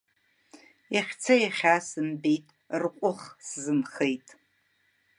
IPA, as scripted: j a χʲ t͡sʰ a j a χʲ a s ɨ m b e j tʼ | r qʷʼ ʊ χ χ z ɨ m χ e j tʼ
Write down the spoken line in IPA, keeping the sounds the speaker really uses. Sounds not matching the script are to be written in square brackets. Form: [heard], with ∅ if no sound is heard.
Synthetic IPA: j a χʲ t͡sʰ a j a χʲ a s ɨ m b e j tʼ | r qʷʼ ʊ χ [s] z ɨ m χ e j tʼ